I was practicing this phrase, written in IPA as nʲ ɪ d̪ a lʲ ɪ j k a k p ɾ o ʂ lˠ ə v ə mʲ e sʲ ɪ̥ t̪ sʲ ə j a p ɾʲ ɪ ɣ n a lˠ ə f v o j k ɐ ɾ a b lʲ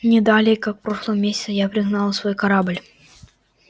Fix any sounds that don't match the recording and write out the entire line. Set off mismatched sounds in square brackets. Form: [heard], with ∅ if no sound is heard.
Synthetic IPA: nʲ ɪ d̪ a lʲ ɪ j k a k p ɾ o ʂ lˠ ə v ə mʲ e sʲ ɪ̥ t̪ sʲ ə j a p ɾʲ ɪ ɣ n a lˠ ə [s] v o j k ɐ ɾ a b lʲ